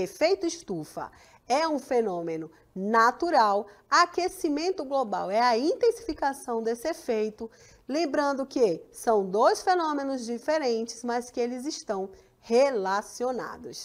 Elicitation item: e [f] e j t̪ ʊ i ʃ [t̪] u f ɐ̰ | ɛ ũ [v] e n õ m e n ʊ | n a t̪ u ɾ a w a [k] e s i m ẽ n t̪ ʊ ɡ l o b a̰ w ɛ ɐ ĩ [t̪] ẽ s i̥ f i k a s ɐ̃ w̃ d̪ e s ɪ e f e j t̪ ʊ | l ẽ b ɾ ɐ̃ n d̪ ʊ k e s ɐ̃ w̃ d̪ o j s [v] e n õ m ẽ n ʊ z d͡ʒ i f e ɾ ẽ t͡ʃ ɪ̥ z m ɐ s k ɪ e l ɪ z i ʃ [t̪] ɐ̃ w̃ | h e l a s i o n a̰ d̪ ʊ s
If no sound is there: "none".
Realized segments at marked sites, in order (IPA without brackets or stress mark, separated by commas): f, t̪, f, k, t̪, f, t̪